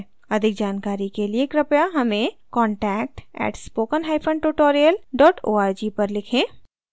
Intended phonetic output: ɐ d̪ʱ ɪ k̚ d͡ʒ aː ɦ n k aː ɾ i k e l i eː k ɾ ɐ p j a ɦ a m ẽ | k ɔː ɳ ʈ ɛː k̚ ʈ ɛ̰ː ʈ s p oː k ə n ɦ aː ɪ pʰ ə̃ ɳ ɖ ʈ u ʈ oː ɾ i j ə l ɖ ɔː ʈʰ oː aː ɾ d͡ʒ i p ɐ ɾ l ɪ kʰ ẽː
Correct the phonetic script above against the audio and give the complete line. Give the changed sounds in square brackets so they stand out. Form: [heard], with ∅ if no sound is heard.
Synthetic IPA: ɐ d̪ʱ ɪ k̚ d͡ʒ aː [∅] n k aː ɾ i k e l i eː k ɾ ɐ p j a ɦ [ɐ] m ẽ | k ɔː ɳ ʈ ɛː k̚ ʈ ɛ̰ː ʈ s p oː k ə n ɦ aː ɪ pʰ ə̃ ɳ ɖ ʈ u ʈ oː ɾ i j ə l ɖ ɔː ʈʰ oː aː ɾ d͡ʒ i p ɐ ɾ l ɪ kʰ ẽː